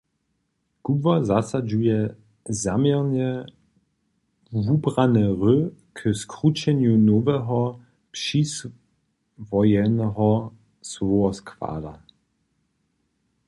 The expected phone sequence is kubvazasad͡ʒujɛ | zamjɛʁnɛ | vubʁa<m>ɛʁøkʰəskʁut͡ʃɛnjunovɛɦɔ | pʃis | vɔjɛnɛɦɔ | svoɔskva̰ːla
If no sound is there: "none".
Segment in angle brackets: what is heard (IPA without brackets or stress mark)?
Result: n